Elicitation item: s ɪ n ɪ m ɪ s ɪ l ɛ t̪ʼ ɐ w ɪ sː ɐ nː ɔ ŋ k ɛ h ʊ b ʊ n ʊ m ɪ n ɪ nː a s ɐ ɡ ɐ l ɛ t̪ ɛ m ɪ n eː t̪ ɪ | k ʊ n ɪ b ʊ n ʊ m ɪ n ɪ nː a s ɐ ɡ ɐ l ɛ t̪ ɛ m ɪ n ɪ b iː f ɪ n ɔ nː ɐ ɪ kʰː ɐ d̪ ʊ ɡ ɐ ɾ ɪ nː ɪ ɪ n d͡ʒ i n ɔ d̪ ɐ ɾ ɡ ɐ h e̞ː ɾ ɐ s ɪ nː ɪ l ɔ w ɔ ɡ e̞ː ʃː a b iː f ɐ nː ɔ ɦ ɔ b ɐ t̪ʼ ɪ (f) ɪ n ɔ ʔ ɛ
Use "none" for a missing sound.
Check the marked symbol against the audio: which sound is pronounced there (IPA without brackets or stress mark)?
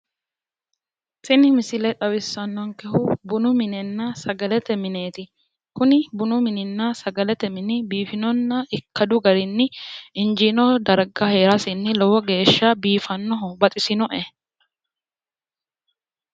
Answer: s